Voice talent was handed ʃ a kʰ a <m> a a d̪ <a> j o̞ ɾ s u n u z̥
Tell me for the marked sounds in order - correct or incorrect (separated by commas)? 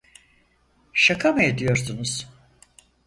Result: correct, incorrect